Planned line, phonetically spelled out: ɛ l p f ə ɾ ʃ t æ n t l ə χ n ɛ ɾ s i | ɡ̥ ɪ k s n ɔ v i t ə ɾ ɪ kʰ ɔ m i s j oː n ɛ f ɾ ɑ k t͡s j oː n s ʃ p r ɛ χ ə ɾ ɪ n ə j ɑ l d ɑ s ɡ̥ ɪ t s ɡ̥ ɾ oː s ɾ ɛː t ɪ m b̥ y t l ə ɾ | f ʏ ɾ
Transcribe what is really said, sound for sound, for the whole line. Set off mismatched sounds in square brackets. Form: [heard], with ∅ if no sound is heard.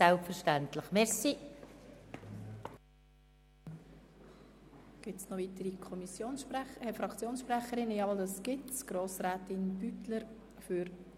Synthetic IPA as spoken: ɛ l p f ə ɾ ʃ t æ n t l ə χ [m] ɛ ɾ s i | ɡ̥ ɪ [t] s n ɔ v i t ə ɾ [i] kʰ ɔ m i s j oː n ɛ f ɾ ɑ k t͡s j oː n s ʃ p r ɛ χ ə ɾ ɪ n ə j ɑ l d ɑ s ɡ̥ ɪ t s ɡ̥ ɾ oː s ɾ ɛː t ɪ [n] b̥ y t l ə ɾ | f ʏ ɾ